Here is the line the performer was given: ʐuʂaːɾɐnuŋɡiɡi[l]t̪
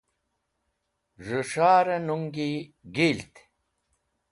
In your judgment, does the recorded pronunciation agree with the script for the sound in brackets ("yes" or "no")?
yes